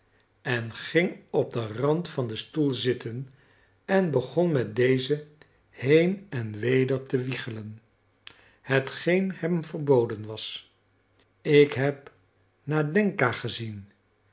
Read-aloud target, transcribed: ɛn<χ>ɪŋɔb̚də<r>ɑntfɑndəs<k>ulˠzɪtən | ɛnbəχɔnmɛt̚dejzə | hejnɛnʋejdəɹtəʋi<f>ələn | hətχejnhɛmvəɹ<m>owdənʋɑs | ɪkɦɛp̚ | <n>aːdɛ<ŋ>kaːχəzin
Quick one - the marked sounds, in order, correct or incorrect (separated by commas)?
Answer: correct, correct, incorrect, incorrect, incorrect, correct, correct